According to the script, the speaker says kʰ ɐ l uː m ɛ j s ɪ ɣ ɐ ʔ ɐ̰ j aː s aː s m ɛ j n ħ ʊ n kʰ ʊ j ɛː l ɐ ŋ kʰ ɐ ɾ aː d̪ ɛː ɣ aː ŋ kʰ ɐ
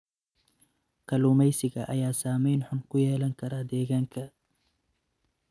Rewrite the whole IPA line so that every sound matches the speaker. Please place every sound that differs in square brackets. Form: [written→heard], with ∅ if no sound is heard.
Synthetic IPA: kʰ ɐ l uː m ɛ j s ɪ ɣ ɐ ʔ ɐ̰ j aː s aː [s→∅] m ɛ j n ħ ʊ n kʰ ʊ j ɛː l ɐ ŋ kʰ ɐ ɾ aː d̪ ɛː ɣ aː ŋ kʰ ɐ